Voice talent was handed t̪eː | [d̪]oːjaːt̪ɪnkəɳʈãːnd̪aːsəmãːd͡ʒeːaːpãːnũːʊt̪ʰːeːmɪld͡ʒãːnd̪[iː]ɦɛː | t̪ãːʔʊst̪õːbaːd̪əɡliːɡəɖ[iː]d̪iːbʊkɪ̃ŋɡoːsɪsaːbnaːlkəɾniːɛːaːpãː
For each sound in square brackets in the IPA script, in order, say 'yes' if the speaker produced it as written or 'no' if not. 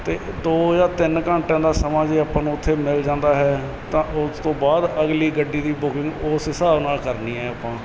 yes, no, yes

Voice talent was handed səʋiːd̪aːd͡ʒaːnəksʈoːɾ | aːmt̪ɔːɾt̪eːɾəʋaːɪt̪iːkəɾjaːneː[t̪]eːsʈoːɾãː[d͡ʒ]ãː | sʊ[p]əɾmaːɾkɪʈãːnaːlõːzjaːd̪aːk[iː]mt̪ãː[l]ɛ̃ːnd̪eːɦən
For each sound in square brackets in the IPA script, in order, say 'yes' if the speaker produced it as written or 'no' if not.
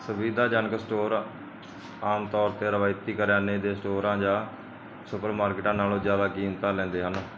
no, yes, yes, yes, yes

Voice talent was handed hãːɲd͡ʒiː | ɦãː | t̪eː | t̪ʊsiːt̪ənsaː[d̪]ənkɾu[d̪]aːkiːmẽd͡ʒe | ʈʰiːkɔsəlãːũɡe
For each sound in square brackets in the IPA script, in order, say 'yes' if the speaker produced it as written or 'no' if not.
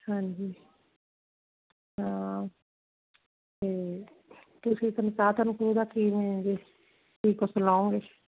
no, yes

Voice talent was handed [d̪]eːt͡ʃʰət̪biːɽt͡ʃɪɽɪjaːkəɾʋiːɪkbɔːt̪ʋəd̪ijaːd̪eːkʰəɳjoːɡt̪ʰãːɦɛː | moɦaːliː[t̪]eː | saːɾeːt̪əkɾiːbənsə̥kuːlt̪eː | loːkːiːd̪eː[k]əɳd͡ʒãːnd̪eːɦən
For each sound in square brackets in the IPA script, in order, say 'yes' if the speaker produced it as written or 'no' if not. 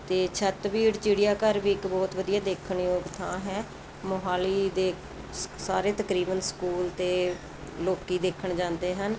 no, no, no

